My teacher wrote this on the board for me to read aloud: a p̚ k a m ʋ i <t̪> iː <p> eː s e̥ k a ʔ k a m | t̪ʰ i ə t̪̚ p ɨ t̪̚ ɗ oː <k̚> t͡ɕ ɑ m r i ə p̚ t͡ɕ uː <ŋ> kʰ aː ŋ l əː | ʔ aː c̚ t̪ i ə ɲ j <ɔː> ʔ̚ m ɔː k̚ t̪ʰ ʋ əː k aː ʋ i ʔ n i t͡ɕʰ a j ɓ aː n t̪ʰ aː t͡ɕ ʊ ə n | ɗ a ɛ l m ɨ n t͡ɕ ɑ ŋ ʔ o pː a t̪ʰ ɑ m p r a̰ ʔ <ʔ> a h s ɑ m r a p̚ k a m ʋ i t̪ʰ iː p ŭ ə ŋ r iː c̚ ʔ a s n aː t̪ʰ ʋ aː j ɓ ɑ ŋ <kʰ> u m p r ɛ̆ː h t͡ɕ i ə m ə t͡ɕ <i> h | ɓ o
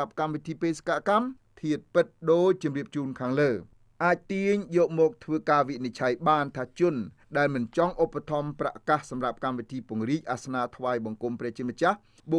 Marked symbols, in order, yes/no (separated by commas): no, yes, no, no, yes, no, no, no